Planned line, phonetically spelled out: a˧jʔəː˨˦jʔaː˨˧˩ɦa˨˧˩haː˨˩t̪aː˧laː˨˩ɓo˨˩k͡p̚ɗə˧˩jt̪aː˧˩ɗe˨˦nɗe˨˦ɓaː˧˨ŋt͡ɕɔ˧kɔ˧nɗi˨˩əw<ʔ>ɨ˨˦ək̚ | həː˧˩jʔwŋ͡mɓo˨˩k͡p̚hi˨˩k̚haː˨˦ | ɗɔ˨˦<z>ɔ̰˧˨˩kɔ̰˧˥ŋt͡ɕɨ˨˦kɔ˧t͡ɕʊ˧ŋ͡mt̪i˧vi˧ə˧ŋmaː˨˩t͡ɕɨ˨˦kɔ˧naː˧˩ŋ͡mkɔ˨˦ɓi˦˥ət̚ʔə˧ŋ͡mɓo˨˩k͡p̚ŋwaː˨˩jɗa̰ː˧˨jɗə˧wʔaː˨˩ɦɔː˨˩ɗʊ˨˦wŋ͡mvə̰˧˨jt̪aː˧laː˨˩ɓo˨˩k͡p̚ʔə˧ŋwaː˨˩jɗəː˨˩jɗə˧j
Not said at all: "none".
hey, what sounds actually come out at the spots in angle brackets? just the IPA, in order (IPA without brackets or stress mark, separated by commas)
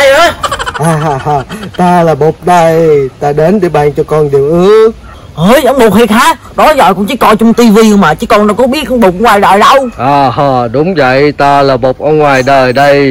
ʔ, z